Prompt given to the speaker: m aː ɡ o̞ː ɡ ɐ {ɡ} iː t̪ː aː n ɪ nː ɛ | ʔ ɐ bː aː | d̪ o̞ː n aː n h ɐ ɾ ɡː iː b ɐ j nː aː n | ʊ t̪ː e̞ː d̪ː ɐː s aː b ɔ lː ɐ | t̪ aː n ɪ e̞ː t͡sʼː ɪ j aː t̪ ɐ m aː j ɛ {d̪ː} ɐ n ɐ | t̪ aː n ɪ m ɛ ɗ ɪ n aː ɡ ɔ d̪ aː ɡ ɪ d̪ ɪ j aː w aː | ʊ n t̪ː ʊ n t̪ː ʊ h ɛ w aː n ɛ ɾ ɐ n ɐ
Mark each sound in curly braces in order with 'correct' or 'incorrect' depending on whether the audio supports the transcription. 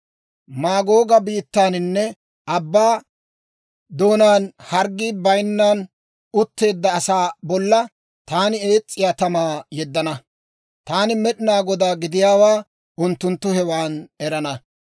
incorrect: b, correct

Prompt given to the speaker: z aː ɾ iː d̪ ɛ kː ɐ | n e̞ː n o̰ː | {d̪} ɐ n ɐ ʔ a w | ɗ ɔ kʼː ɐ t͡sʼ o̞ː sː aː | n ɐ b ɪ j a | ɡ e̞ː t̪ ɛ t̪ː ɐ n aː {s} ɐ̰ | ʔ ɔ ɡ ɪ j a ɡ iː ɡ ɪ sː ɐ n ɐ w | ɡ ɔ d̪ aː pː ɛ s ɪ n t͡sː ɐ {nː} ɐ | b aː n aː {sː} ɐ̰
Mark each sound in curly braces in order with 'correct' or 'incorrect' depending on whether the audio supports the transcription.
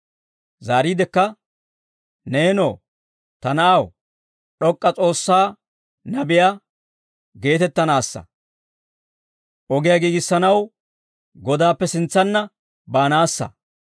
incorrect: t̪, incorrect: sː, correct, correct

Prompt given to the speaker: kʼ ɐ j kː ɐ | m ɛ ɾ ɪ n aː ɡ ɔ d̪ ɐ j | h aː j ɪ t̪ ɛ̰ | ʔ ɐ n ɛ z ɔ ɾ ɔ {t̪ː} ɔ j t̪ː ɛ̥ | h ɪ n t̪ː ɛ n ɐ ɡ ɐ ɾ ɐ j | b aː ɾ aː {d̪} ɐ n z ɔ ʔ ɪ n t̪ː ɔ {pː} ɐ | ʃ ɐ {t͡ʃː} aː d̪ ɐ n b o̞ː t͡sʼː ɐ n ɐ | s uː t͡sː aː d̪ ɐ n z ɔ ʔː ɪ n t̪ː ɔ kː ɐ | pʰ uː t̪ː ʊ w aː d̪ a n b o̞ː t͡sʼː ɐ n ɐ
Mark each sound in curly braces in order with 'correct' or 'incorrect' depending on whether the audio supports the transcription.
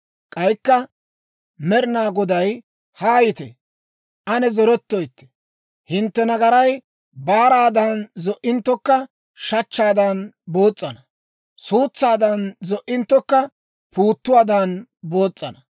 correct, correct, incorrect: kː, correct

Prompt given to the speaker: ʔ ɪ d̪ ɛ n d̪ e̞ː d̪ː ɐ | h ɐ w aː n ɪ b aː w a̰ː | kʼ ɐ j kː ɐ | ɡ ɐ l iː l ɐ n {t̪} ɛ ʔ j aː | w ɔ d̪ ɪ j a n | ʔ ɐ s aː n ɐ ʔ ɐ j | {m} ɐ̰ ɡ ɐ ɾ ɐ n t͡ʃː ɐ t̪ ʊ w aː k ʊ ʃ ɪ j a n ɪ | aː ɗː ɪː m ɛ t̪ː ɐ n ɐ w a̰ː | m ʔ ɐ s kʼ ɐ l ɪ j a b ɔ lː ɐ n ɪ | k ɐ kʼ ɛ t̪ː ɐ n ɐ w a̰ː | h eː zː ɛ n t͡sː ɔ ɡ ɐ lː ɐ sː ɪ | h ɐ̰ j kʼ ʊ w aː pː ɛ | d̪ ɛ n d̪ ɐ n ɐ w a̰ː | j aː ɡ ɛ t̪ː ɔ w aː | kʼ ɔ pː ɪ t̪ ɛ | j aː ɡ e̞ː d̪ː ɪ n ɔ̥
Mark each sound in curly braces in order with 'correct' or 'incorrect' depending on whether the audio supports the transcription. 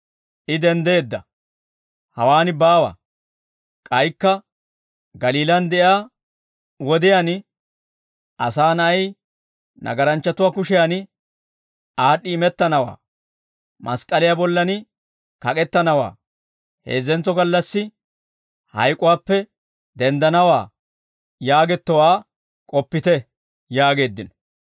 incorrect: d̪, incorrect: n

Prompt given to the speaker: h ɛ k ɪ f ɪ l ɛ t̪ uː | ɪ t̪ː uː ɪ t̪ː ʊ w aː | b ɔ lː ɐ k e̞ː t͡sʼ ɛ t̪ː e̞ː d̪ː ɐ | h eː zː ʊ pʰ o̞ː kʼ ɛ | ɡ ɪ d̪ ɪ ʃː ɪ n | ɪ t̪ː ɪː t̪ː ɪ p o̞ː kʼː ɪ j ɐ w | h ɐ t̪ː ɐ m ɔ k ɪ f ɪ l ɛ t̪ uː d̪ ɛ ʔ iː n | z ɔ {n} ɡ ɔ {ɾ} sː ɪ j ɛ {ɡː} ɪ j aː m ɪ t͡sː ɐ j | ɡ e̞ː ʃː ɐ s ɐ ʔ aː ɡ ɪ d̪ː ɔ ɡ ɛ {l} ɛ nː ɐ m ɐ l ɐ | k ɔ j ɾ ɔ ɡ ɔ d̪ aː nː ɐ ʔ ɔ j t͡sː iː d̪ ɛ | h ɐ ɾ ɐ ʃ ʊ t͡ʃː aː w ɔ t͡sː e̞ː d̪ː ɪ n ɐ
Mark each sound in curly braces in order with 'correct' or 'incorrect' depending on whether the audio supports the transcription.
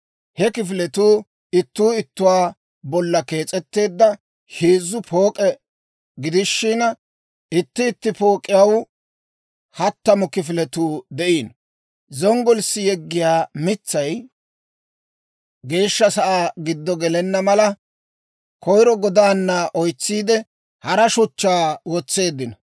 incorrect: ŋ, incorrect: l, correct, correct

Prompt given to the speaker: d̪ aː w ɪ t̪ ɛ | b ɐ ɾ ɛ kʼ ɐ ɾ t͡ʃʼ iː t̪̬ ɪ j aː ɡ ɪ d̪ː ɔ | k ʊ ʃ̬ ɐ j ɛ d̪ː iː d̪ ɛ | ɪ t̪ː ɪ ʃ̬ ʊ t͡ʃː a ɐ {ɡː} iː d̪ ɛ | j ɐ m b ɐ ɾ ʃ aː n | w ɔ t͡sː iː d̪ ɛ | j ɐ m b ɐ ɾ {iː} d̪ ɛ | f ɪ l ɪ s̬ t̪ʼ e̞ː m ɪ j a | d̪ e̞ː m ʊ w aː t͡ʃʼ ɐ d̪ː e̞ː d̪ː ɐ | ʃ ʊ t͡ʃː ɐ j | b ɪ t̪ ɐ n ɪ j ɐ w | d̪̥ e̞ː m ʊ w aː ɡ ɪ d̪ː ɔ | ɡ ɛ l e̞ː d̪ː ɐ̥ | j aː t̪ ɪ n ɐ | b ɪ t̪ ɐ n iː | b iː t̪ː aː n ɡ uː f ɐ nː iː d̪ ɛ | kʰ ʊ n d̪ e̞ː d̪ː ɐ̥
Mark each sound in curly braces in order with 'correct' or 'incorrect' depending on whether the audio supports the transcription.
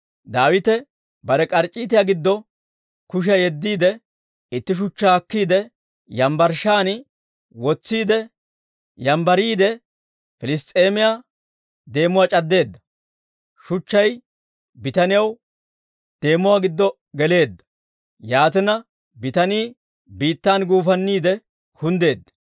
incorrect: kː, correct

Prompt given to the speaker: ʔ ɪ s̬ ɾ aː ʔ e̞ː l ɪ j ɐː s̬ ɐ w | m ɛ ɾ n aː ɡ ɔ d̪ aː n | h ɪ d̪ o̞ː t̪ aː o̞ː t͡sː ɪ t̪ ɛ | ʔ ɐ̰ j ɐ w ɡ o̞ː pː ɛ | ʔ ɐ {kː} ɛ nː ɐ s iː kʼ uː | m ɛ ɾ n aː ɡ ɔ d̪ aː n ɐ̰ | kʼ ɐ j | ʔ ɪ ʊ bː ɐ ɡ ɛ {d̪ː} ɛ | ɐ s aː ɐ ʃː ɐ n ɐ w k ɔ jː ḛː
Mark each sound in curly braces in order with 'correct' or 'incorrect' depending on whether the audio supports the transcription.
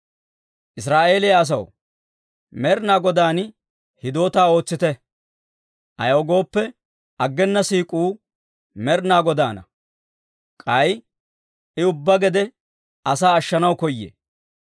incorrect: ɡː, incorrect: d̪

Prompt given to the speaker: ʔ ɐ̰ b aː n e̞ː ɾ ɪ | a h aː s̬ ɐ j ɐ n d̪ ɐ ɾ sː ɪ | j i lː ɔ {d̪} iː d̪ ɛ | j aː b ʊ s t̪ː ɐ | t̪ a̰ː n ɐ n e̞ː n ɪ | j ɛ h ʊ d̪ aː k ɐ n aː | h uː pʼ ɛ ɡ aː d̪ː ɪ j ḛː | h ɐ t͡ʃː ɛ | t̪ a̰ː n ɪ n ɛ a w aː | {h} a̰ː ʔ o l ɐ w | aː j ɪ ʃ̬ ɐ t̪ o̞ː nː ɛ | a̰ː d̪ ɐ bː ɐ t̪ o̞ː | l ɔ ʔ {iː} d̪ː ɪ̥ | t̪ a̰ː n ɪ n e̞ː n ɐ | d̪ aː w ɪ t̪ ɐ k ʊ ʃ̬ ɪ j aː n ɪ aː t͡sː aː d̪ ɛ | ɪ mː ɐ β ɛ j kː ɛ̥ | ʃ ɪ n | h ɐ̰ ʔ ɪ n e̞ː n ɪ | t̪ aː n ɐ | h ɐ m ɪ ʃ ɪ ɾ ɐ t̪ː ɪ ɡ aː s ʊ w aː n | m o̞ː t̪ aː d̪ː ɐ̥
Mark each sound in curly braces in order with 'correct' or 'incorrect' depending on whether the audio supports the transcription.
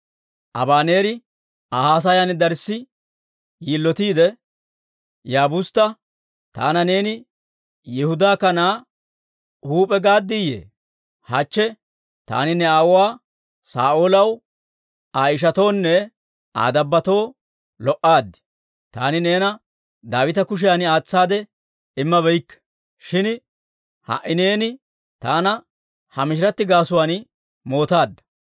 incorrect: t̪, incorrect: s, incorrect: aː

